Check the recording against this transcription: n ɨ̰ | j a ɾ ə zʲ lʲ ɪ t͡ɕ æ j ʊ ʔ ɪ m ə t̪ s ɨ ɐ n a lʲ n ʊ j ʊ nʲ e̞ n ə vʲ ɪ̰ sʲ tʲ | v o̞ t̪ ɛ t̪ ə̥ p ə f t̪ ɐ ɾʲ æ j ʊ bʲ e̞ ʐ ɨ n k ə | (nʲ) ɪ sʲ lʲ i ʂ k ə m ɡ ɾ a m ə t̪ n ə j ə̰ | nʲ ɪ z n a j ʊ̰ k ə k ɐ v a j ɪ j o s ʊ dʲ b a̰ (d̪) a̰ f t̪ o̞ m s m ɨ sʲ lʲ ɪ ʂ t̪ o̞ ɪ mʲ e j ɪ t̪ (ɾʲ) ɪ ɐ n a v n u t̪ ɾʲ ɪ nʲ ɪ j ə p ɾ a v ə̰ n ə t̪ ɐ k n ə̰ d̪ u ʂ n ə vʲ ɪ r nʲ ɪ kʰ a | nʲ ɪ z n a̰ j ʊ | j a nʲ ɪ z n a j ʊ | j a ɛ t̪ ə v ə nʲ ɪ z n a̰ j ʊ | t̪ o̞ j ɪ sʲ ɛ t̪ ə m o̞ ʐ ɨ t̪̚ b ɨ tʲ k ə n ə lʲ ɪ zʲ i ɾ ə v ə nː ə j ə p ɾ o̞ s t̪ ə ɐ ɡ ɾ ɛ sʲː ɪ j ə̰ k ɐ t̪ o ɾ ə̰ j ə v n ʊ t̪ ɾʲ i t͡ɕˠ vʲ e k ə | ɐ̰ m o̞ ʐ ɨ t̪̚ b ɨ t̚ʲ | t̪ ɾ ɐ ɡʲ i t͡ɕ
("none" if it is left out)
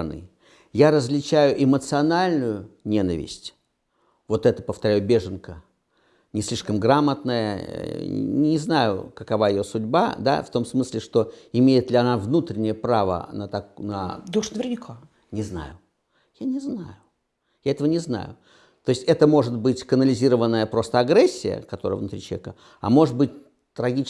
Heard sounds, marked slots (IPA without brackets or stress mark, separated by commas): nʲ, d̪, lʲ